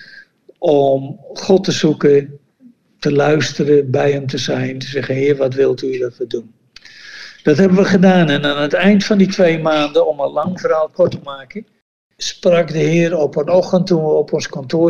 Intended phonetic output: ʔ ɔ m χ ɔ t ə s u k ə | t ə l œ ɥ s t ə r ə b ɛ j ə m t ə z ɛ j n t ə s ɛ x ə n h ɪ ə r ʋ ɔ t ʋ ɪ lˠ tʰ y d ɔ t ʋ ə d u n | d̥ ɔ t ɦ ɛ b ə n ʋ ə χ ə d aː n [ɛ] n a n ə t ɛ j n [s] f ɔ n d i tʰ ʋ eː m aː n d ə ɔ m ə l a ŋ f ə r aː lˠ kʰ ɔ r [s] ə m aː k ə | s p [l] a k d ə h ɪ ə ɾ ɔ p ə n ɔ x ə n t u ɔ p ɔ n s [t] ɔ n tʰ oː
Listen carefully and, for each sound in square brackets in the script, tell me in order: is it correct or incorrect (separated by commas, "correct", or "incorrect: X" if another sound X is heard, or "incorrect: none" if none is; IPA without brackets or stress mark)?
correct, incorrect: t, incorrect: t, incorrect: r, incorrect: k